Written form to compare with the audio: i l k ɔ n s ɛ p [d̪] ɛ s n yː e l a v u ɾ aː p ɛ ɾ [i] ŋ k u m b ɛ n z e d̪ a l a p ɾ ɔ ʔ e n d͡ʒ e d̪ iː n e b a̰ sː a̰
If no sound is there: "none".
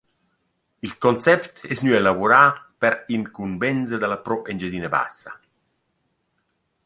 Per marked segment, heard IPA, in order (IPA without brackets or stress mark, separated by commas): t̪, i